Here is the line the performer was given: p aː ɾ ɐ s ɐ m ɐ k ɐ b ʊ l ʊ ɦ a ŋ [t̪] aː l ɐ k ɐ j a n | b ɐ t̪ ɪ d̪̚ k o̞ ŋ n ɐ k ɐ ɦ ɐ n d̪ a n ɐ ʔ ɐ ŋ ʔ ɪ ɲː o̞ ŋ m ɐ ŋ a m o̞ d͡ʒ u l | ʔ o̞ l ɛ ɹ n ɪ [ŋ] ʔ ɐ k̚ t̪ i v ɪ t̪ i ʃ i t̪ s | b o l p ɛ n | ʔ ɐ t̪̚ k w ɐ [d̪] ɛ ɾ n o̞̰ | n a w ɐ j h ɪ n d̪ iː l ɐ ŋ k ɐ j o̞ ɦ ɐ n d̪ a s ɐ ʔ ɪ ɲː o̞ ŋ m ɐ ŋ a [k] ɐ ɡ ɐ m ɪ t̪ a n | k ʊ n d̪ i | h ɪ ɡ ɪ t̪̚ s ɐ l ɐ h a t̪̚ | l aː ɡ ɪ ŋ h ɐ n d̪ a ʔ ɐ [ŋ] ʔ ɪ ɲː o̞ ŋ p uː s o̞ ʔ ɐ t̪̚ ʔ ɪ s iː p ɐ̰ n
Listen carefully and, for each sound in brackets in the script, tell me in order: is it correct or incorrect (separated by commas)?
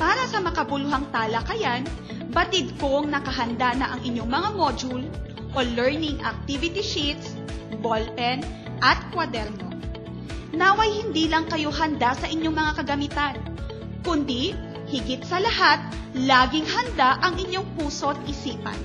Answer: correct, correct, correct, correct, correct